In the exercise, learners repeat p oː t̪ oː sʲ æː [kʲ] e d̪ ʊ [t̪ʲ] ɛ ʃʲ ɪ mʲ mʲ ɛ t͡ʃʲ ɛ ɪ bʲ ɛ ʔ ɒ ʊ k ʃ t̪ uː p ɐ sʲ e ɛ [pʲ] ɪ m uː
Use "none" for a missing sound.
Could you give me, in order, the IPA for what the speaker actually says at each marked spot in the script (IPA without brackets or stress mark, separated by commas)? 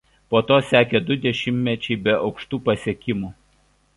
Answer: kʲ, d̪ʲ, kʲ